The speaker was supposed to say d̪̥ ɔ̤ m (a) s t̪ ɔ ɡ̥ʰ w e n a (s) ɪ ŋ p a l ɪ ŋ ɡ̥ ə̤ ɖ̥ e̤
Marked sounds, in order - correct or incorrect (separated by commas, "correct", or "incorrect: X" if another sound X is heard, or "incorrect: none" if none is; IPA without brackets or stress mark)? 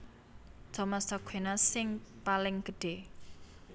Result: correct, correct